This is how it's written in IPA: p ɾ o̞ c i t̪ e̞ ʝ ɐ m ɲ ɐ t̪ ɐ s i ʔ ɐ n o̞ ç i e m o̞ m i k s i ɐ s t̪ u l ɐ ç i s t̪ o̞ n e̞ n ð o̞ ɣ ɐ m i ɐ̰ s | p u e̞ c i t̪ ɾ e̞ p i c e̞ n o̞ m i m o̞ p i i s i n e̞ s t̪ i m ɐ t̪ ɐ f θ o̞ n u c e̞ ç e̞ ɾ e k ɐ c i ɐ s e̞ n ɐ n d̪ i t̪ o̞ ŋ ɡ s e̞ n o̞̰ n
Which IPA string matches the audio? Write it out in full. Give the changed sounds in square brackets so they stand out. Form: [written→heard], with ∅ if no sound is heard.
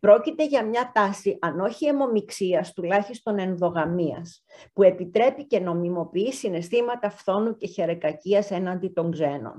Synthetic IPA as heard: p ɾ o̞ c i t̪ e̞ ʝ ɐ m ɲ ɐ t̪ ɐ s i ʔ ɐ n o̞ ç i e m o̞ m i k s i ɐ s t̪ u l ɐ ç i s t̪ o̞ n e̞ n ð o̞ ɣ ɐ m i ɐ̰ s | p u e̞ [c→p] i t̪ ɾ e̞ p i c e̞ n o̞ m i m o̞ p i i s i n e̞ s t̪ i m ɐ t̪ ɐ f θ o̞ n u c e̞ ç e̞ ɾ e k ɐ c i ɐ s e̞ n ɐ n d̪ i t̪ o̞ ŋ ɡ [s→z] e̞ n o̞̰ n